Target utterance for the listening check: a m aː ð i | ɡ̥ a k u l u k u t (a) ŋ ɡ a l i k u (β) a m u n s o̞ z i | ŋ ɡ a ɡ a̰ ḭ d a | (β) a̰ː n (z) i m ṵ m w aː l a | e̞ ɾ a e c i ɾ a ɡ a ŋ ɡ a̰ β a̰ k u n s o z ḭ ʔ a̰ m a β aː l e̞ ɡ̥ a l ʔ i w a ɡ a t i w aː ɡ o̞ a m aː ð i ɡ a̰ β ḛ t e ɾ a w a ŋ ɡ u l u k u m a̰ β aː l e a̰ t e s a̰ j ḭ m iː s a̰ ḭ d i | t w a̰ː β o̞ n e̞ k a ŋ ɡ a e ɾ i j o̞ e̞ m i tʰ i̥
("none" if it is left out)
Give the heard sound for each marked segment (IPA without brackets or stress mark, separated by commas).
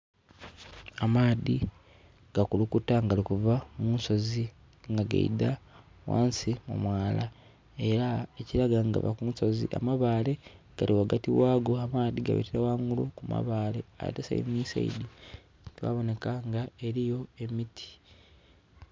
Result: a, v, w, s